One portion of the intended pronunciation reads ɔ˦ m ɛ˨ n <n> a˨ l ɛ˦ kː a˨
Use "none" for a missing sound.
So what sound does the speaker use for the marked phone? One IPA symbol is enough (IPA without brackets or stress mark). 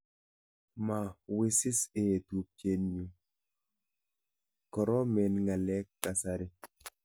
ŋ